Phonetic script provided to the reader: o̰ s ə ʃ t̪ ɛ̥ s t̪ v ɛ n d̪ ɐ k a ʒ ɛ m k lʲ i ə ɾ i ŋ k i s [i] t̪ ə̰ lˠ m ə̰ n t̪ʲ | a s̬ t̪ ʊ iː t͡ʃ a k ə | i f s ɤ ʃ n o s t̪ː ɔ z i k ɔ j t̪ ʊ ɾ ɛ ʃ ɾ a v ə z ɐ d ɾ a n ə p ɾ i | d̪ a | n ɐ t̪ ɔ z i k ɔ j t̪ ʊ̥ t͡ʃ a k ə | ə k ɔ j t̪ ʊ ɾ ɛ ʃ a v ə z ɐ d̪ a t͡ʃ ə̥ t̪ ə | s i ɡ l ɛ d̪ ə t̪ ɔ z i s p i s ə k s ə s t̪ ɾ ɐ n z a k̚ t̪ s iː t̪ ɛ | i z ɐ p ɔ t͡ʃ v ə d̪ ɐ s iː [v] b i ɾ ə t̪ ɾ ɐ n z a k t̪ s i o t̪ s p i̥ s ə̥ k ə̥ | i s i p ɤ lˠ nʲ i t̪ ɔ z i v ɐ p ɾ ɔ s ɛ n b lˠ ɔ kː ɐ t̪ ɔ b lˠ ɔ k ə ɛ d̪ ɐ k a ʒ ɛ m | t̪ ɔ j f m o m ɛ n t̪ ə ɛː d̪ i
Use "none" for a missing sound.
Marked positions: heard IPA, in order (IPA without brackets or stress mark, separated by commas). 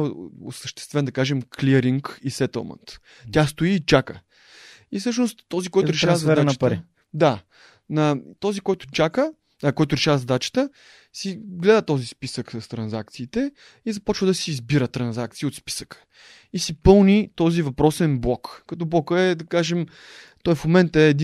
ɛ, z